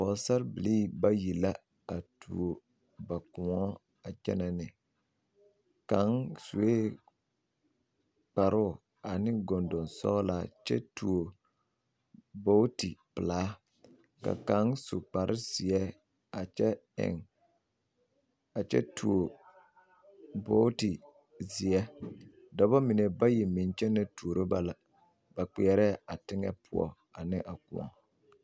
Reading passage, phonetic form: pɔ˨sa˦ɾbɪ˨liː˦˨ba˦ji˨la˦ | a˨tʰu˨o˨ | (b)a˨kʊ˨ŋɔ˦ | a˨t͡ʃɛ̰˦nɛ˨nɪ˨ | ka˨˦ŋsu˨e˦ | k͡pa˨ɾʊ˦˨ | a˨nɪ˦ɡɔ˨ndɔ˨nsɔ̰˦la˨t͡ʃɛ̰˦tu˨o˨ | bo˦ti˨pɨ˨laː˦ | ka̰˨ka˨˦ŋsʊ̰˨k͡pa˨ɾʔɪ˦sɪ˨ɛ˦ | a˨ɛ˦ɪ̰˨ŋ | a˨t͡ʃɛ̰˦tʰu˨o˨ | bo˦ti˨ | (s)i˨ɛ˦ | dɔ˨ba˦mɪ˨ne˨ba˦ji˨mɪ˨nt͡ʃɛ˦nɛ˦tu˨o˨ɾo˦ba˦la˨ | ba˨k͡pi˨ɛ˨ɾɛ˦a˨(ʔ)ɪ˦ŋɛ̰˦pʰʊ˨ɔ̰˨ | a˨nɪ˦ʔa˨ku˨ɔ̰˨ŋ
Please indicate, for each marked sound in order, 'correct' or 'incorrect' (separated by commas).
correct, incorrect, incorrect